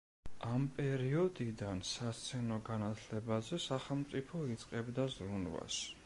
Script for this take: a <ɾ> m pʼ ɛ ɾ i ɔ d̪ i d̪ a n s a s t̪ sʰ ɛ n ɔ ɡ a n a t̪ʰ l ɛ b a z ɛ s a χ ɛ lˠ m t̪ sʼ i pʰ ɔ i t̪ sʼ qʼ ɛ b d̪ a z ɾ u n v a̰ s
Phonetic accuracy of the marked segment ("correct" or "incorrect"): incorrect